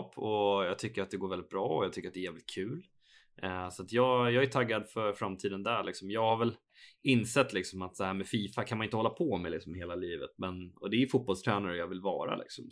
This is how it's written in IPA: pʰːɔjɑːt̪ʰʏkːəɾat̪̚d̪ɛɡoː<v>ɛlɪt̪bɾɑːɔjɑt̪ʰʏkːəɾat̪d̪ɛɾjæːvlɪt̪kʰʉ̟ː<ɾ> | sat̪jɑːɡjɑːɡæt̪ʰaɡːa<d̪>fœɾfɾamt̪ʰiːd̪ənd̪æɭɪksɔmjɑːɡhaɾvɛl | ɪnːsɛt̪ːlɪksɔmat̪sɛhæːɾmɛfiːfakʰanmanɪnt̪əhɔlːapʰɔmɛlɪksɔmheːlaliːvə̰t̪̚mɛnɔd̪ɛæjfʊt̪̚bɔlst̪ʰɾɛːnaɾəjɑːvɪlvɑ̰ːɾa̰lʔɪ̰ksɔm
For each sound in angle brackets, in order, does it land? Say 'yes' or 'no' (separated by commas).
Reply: yes, no, yes